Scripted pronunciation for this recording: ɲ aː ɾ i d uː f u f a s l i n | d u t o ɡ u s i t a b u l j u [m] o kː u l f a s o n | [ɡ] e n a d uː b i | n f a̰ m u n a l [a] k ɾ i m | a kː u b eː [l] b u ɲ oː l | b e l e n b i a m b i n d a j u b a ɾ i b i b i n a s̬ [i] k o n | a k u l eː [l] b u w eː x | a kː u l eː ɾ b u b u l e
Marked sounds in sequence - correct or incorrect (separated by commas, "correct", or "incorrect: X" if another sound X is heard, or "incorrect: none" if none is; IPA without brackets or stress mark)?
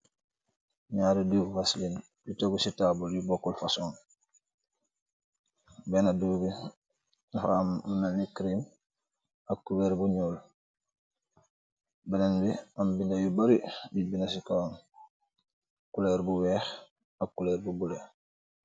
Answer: incorrect: b, incorrect: b, incorrect: i, incorrect: ɾ, correct, incorrect: ɾ